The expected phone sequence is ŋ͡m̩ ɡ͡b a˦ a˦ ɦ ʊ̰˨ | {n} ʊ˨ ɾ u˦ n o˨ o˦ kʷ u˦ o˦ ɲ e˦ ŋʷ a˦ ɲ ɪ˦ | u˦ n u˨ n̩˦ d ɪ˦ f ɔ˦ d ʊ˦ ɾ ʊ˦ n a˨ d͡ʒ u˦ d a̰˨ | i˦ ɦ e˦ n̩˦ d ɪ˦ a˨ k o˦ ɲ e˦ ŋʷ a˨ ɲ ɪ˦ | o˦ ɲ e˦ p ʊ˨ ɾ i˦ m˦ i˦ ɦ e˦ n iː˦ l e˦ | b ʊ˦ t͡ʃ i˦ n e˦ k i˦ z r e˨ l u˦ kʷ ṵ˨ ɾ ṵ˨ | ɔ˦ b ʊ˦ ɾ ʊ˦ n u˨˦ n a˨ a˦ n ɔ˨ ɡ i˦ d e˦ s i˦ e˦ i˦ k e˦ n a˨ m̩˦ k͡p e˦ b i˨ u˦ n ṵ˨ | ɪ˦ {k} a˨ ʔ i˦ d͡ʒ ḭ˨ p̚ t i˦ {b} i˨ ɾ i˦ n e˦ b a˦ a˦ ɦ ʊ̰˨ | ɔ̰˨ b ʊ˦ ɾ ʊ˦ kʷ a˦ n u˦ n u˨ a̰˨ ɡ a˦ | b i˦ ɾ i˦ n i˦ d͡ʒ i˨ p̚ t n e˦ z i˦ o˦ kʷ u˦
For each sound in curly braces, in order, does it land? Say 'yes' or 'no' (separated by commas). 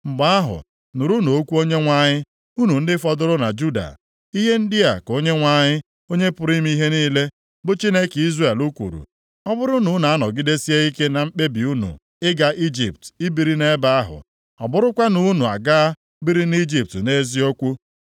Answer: yes, no, yes